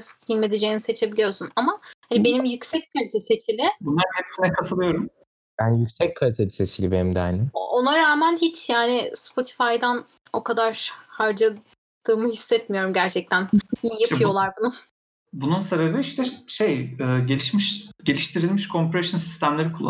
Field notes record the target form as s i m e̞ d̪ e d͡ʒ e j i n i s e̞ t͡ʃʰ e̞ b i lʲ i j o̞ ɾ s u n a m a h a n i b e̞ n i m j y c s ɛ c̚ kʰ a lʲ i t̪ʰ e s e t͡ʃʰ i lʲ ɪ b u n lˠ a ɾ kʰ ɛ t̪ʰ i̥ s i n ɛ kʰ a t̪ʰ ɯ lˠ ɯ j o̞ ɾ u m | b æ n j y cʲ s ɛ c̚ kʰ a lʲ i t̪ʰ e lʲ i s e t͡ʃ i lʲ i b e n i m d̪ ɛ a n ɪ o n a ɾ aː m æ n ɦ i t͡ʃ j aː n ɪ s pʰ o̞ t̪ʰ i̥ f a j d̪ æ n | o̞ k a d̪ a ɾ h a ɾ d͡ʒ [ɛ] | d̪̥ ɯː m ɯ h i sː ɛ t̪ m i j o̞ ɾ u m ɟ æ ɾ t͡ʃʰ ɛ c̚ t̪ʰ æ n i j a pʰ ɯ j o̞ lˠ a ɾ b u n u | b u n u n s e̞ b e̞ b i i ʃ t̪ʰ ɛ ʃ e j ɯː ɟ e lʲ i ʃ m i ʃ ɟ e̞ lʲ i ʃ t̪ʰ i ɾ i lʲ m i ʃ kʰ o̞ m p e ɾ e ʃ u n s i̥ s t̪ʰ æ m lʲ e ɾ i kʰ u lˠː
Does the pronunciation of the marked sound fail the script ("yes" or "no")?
yes